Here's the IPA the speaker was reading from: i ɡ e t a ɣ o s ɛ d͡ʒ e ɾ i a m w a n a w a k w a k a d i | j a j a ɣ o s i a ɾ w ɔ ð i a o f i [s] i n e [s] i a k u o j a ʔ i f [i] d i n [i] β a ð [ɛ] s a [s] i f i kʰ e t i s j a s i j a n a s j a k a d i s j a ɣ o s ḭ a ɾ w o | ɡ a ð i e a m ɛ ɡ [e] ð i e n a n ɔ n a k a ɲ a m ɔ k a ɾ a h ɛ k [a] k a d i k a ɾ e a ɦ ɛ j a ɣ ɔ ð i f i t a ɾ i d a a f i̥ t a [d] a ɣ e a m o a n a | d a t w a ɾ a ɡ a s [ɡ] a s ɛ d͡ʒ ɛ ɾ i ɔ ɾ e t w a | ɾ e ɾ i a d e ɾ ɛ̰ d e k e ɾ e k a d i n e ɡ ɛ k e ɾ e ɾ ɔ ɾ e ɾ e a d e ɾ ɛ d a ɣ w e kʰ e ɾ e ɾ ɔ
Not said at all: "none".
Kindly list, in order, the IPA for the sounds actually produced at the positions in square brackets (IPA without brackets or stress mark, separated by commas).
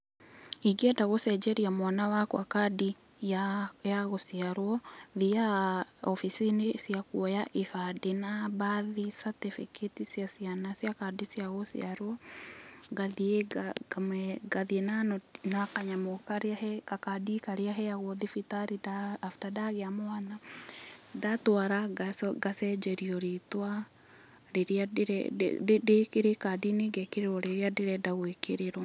s, s, a, a, i, t, a, a, d, ɡ